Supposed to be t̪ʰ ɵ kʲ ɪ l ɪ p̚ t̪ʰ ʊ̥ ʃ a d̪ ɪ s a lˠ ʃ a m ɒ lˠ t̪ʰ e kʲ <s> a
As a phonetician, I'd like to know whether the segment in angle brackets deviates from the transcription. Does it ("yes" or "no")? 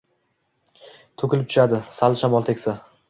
no